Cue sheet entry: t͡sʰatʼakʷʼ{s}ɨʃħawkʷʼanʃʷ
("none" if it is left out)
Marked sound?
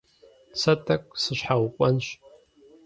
s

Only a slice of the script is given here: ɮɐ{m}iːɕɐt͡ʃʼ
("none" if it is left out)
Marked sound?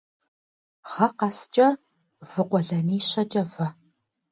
n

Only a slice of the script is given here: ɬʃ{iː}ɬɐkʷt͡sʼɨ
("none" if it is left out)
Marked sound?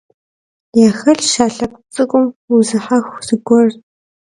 aː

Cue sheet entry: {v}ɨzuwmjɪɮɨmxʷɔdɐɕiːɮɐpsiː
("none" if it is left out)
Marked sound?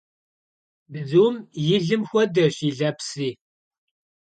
b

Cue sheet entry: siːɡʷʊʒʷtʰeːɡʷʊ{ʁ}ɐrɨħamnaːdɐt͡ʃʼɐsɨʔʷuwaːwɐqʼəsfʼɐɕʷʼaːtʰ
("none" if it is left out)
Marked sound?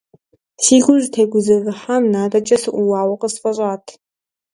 z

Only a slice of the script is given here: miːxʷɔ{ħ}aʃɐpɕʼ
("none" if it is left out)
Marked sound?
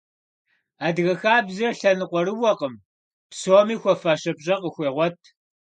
f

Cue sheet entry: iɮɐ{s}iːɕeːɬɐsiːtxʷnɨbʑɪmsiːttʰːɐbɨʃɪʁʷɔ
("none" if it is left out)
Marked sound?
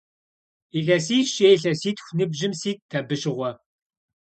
s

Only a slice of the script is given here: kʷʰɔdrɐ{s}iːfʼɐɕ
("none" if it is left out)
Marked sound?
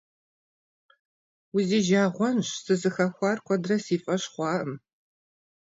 s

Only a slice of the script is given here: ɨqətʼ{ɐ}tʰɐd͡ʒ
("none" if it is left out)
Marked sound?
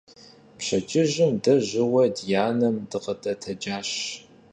ɐ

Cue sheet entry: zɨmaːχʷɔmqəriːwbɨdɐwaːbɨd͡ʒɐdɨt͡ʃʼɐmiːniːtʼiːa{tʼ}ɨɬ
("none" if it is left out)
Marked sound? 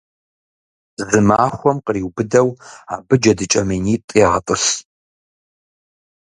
tʼ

